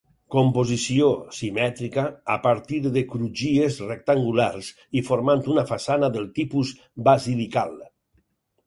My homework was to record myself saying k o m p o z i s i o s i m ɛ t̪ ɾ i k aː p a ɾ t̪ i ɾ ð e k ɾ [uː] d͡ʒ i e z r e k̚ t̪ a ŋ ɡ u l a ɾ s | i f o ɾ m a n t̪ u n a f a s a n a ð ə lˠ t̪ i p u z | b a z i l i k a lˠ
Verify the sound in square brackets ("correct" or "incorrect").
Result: incorrect